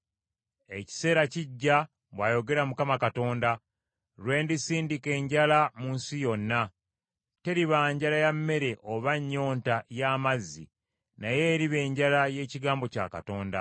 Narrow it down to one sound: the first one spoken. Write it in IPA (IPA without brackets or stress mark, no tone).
e̞